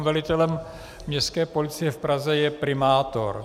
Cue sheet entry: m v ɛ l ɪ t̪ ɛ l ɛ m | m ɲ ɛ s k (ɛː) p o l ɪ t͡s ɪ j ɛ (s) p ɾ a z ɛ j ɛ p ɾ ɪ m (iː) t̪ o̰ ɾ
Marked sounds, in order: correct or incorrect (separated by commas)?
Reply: correct, incorrect, incorrect